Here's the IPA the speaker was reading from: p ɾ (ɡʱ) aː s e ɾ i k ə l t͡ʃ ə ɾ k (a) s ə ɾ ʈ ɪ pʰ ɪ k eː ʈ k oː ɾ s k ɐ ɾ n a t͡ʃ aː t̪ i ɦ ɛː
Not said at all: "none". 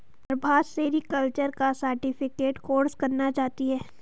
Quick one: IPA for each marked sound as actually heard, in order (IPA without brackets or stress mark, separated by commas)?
bʱ, a